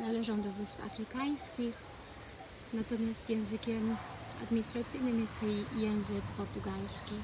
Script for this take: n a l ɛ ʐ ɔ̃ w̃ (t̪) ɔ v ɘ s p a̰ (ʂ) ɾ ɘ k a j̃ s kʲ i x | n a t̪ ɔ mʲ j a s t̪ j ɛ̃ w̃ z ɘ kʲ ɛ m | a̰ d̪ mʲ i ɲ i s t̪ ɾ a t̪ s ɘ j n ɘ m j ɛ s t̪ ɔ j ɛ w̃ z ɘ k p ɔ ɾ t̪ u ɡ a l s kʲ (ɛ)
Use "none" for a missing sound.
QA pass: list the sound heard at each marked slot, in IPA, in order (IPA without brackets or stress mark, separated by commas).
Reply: d̪, f, i